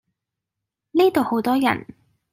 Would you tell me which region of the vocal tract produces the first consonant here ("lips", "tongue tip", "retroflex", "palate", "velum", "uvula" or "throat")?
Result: tongue tip